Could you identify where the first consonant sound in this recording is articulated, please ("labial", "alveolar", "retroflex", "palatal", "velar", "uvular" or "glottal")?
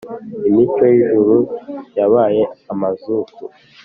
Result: labial